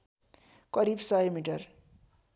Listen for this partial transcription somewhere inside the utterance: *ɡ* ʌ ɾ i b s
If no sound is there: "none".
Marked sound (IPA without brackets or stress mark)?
k